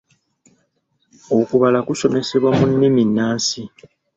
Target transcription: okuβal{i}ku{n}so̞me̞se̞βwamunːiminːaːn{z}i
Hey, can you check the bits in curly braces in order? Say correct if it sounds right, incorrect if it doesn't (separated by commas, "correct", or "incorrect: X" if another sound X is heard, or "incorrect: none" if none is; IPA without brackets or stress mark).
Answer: incorrect: a, incorrect: none, incorrect: s